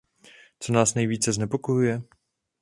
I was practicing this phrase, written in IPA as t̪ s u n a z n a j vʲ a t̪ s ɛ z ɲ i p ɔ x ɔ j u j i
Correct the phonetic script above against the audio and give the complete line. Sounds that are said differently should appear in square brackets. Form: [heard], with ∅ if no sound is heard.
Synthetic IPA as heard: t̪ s [ɔ] n a [s] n a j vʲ [i] t̪ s ɛ z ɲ [ɛ] p ɔ [k] ɔ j u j [ɛ]